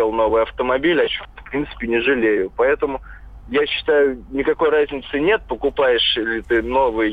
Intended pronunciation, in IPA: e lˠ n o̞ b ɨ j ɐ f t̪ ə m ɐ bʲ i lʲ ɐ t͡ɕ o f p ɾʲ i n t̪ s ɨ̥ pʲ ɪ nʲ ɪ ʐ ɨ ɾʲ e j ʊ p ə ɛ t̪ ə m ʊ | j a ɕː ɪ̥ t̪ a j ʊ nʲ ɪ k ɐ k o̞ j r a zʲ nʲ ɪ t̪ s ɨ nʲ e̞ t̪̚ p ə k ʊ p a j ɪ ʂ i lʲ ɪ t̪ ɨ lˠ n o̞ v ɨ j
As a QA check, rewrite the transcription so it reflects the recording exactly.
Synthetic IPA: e lˠ n o̞ v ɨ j ɐ f t̪ ə m ɐ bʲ i lʲ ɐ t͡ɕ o f p ɾʲ i n t̪ s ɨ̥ pʲ ɪ nʲ ɪ ʐ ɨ lʲ e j ʊ p ɐ ɛ t̪ ə m ʊ | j a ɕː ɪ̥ t̪ a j ʊ nʲ ɪ k ɐ k o̞ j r a zʲ nʲ ɪ t̪ s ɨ nʲ e̞ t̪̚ p ə k ʊ p a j ɪ ʂ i lʲ ɪ t̪ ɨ n o̞ v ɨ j